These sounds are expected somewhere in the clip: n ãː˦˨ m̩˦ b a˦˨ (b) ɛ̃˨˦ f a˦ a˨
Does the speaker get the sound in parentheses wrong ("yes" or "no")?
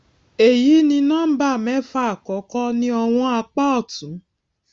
yes